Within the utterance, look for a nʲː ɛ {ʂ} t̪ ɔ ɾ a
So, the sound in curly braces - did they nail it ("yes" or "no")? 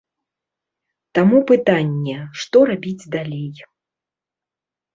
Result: yes